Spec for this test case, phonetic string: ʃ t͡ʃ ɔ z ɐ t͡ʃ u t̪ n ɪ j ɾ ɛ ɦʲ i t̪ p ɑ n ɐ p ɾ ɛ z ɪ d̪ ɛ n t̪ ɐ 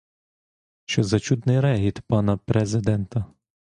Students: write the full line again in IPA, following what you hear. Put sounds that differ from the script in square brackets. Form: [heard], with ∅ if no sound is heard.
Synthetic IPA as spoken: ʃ t͡ʃ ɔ z ɐ t͡ʃ u [d̪] n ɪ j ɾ ɛ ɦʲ i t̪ p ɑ n ɐ p ɾ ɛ z ɪ d̪ ɛ n t̪ ɐ